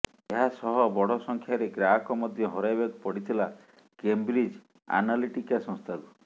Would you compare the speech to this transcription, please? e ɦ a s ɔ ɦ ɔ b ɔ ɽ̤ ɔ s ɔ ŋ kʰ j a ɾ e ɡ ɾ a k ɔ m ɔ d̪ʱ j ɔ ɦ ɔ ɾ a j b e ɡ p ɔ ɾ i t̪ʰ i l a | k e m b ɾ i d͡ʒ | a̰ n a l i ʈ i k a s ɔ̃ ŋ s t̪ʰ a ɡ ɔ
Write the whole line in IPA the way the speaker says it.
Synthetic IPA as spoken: e ɦ a s ɔ ɦ ɔ b ɔ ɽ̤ ɔ s ɔ ŋ kʰ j a ɾ e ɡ ɾ a k ɔ m ɔ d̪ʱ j ɔ ɦ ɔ ɾ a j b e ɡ p ɔ ɽ i t̪ʰ i l a | k e m b ɾ i d͡ʒ | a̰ n a l i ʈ i k a s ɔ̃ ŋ s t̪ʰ a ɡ u